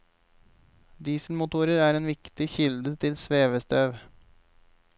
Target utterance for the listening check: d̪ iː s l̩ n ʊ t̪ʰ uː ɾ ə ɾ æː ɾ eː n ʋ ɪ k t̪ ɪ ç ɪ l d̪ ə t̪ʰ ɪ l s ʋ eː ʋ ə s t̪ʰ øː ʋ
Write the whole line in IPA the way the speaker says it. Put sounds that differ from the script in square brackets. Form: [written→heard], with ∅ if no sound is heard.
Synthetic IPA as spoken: d̪ iː s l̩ [n→m] ʊ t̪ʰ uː ɾ ə ɾ æː ɾ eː n ʋ ɪ k t̪ ɪ ç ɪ l d̪ ə t̪ʰ ɪ l s ʋ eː ʋ ə s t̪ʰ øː ʋ